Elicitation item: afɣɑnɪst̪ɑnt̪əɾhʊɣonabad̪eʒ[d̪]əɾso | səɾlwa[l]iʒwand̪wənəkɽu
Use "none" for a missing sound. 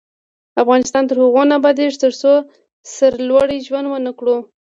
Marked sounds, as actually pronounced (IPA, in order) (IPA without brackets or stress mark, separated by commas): t̪, ɽ